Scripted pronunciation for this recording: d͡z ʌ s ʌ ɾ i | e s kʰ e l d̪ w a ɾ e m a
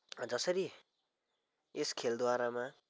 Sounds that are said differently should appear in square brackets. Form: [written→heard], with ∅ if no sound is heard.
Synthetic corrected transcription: d͡z ʌ s ʌ ɾ i | e s kʰ e l d̪ w a ɾ [e→a] m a